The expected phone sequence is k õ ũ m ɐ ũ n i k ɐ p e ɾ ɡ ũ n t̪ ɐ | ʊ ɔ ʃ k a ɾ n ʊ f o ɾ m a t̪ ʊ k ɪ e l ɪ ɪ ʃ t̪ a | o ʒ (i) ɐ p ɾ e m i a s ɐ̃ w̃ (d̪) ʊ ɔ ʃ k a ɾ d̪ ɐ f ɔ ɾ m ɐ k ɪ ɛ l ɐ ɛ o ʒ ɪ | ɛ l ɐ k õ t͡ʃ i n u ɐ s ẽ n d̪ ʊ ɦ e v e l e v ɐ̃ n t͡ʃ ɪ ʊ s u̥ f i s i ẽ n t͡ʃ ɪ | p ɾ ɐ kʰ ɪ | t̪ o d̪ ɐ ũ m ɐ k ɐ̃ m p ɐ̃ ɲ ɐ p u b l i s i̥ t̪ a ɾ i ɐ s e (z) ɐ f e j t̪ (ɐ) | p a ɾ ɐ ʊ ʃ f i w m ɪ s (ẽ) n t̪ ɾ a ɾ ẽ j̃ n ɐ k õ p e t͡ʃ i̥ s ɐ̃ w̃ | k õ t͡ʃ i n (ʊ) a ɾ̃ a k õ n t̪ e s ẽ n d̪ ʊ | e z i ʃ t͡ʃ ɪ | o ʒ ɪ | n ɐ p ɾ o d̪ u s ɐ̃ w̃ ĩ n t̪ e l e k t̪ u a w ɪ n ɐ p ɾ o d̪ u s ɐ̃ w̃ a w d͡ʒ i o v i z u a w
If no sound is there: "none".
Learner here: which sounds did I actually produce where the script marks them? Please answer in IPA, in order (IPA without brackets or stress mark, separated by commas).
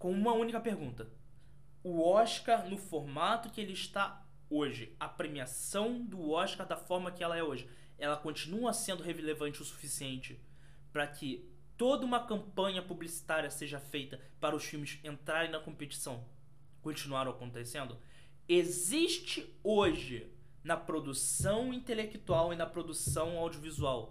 ɪ, d̪, ʒ, ɐ, ẽ, u